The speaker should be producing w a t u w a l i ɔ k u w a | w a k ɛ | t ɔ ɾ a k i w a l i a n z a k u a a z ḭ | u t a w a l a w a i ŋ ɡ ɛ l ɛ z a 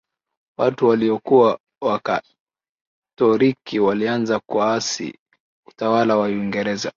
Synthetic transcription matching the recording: w a t u w a l i ɔ k u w a | w a k a | t ɔ ɾ i k i w a l i a n z a k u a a s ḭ | u t a w a l a w a i ŋ ɡ ɛ ɾ ɛ z a

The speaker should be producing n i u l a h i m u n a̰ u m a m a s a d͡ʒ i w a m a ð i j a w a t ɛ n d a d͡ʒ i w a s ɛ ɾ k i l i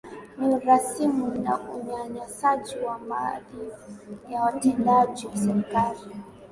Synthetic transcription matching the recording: n i u ɾ a s i m u n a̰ u ɲ a ɲ a s a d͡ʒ i w a m a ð i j a w a t ɛ n d a d͡ʒ i w a s ɛ ɾ k a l i

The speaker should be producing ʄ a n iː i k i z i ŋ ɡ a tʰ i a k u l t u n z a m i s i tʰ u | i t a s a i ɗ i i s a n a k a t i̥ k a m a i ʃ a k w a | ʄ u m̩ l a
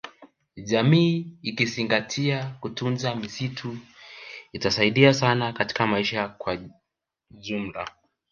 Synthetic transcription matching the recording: ʄ a m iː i k i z i ŋ ɡ a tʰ i a k u t u n z a m i s i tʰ u | i t a s a i ɗ i a s a n a k a t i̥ k a m a i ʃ a k w a | ʄ u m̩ l a

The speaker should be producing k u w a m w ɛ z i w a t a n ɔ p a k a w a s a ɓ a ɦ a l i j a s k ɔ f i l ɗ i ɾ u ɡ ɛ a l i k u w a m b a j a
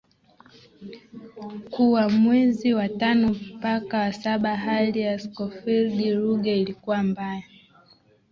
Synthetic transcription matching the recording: k u w a m w ɛ z i w a t a n ɔ p a k a w a s a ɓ a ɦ a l i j a s k ɔ f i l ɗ i ɾ u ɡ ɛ i l i k u w a m b a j a

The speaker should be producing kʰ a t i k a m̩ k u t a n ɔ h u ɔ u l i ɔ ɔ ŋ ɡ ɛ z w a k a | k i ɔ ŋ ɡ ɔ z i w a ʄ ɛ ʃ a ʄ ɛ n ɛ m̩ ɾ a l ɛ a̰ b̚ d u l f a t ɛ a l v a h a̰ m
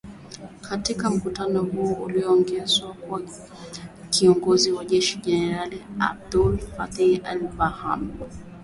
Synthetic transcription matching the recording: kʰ a t i k a m̩ k u t a n ɔ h u ɔ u l i ɔ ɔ ŋ ɡ ɛ z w a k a | k i ɔ ŋ ɡ ɔ z i w a ʄ ɛ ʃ i ʄ ɛ n ɛ ɾ a l i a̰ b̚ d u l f a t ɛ a l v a h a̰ m

